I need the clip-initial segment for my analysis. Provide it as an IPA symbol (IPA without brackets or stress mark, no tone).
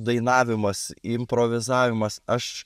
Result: d̪